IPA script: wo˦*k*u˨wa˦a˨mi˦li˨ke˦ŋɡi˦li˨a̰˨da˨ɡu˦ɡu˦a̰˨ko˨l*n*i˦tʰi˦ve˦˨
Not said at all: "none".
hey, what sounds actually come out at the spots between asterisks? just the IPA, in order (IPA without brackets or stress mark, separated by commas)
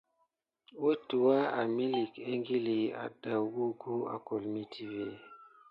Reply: t, m